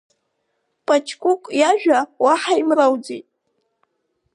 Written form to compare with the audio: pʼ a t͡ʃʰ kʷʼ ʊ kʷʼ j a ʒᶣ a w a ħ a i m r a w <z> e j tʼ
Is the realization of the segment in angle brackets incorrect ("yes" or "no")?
yes